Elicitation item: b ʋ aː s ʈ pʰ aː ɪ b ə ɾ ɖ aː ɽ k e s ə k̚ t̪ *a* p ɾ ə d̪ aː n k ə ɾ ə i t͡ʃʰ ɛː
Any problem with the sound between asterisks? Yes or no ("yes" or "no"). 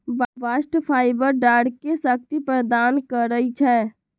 yes